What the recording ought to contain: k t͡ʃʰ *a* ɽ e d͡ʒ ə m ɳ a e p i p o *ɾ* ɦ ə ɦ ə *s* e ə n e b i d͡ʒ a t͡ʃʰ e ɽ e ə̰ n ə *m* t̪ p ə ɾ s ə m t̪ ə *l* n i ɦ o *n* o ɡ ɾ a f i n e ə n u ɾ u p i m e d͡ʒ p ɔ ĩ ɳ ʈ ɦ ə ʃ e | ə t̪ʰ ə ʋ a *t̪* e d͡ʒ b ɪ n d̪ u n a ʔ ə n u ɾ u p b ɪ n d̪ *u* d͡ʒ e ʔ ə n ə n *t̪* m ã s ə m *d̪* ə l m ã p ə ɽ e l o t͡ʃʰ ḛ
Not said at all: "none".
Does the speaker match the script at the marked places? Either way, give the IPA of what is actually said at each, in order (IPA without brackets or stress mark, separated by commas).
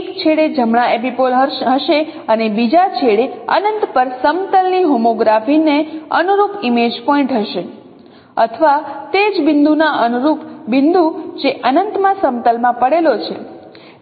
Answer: e, l, ʃ, n, l, m, t̪, u, t̪, t̪